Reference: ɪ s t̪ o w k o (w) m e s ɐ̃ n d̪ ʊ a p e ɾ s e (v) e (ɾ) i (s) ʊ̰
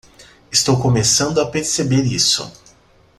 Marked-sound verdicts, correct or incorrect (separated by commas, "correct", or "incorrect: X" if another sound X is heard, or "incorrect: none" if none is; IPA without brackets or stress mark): incorrect: none, incorrect: b, correct, correct